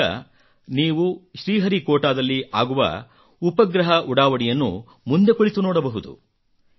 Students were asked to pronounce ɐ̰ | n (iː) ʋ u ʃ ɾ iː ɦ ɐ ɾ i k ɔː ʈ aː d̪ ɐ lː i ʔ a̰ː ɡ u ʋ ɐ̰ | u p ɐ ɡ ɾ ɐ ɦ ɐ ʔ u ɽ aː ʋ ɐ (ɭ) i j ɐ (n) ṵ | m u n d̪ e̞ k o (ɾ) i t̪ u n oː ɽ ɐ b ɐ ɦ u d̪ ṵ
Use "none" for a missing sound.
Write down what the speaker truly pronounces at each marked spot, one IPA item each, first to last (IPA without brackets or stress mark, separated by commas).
iː, ɽ, nː, ɭ